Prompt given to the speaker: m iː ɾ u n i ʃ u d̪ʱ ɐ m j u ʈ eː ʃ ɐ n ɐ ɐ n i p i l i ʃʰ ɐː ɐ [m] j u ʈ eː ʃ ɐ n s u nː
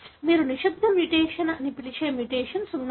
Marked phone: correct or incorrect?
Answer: correct